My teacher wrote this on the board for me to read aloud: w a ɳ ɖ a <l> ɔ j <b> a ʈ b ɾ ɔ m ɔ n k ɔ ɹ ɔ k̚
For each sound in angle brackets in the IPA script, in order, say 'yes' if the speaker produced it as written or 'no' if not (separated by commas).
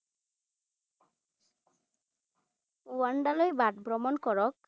yes, yes